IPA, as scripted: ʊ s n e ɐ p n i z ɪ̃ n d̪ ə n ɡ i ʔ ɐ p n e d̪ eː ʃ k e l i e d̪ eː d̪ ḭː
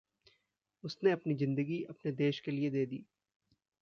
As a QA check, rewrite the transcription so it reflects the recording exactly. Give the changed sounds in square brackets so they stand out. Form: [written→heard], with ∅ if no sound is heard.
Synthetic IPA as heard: ʊ s n e ɐ p n i z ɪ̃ n d̪ ə [n→∅] ɡ i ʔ ɐ p n e d̪ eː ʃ k e l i e d̪ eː d̪ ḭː